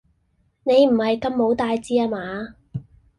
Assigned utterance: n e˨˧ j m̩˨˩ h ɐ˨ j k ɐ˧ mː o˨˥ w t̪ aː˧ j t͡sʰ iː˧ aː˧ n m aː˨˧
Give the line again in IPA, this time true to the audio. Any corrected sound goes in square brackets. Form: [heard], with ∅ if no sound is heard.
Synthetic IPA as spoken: n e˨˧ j m̩˨˩ h ɐ˨ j k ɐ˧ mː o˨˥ w t̪ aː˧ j [t͡s] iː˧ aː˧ [∅] m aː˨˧